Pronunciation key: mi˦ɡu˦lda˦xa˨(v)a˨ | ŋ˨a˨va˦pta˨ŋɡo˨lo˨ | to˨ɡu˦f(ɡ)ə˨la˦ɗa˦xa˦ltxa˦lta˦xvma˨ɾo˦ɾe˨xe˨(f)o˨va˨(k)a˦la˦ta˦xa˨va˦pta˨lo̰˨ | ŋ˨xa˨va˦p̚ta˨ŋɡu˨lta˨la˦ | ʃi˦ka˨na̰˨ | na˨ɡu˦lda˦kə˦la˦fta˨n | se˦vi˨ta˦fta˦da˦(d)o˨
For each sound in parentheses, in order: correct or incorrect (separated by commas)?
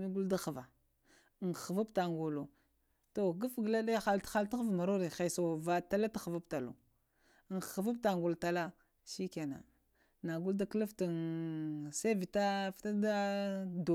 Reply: correct, correct, incorrect, incorrect, correct